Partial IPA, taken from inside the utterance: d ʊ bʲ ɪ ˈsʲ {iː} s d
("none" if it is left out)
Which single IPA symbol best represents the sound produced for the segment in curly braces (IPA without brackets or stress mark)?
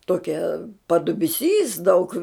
iː